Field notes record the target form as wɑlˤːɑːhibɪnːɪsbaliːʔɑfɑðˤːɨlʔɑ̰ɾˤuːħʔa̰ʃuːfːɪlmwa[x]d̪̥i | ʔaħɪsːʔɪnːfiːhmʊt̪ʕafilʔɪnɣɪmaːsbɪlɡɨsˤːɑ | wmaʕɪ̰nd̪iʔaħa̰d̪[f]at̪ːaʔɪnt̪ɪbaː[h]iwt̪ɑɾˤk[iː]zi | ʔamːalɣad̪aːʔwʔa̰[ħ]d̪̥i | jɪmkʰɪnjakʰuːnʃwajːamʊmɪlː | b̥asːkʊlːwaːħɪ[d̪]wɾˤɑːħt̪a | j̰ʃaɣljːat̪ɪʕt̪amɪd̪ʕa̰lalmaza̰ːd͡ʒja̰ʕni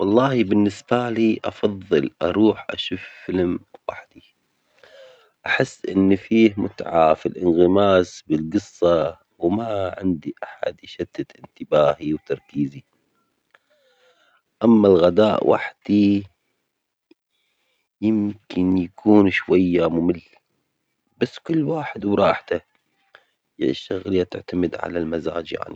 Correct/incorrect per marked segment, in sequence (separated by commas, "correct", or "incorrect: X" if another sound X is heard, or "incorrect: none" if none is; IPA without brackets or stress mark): incorrect: ħ, incorrect: ʃ, correct, correct, correct, correct